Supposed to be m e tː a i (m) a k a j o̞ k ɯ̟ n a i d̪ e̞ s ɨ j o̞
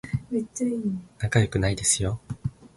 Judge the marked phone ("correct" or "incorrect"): incorrect